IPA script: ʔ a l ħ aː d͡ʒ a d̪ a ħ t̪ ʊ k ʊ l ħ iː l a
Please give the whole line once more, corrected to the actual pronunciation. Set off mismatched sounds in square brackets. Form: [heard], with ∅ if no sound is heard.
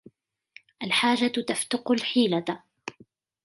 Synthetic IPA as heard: ʔ a l ħ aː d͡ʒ a [t̪] a [f] t̪ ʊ [q] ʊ l ħ iː l a